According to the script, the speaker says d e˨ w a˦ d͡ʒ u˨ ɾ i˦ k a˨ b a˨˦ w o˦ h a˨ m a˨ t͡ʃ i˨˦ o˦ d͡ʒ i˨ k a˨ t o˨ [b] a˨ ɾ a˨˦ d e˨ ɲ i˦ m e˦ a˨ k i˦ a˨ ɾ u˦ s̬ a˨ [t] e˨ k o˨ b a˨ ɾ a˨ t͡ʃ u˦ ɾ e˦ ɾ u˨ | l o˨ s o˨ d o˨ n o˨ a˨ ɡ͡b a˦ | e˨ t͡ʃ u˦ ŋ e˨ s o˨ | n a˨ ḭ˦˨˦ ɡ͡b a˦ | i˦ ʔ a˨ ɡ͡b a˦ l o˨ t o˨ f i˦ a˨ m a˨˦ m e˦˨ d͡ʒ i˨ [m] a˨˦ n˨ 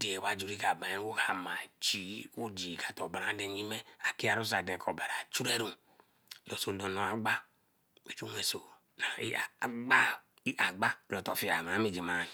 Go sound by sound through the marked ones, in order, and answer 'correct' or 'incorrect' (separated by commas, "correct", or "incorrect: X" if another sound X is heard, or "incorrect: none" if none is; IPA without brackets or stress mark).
correct, incorrect: d, correct